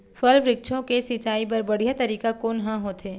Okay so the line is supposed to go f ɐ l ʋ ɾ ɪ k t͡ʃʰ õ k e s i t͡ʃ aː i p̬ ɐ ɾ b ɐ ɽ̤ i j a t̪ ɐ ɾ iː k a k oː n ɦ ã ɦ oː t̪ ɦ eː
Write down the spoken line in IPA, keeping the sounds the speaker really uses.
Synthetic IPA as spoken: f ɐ l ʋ ɾ ɪ k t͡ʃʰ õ k e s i t͡ʃ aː i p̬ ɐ ɾ b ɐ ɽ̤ i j a t̪ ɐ ɾ iː k a k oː n ɦ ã ɦ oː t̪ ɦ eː

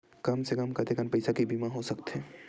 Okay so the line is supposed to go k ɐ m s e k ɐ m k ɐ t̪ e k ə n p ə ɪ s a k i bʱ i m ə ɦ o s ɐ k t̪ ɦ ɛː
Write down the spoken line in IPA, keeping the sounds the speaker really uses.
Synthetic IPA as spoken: k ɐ m s e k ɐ m k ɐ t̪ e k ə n p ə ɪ s a k i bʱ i m a ɦ o s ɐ k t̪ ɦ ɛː

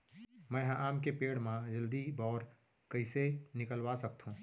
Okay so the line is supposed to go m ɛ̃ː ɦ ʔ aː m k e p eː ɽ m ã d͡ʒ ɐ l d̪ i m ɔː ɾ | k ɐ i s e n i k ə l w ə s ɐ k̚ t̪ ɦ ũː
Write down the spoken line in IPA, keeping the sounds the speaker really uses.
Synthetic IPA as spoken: m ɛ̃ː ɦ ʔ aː m k e p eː ɽ m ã d͡ʒ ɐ l d̪ i b ɔː ɾ | k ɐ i s e n ɪ k ə l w a s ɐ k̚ t̪ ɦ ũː

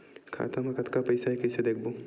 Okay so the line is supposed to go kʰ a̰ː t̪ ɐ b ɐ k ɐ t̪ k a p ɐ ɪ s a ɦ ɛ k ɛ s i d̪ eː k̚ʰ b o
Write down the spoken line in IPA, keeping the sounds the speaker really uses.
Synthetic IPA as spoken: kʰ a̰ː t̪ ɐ m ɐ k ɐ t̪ k a p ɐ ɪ s a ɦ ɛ k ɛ s e d̪ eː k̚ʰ b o

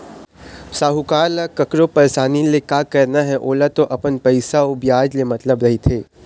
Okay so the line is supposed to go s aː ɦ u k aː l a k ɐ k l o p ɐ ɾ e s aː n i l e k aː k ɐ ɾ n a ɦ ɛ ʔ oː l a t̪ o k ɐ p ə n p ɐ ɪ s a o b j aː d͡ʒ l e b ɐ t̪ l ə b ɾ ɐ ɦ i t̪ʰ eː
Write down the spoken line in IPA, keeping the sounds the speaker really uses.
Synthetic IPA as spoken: s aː ɦ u k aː l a k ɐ k ɾ o p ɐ ɾ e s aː n i l e k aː k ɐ ɾ n a ɦ ɛ ʔ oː l a t̪ o ʔ ɐ p ə n p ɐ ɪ s a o b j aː d͡ʒ l e m ɐ t̪ l ə b ɾ ɐ ɦ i t̪ʰ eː

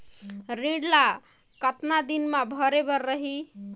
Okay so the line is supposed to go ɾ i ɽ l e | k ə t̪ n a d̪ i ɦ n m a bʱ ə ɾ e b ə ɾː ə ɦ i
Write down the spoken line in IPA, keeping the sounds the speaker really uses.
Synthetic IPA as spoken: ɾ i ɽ l a | k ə t̪ n a d̪ i n m a bʱ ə ɾ e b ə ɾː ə ɦ i

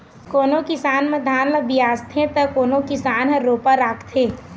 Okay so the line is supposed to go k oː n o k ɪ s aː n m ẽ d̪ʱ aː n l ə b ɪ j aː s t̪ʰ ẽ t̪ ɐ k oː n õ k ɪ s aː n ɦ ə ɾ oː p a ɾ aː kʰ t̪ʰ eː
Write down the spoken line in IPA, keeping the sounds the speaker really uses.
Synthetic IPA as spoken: k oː n o k ɪ s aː n m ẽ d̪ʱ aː n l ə b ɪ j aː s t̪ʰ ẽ t̪ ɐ k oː n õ k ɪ s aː n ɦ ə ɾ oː p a ɾ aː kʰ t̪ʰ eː

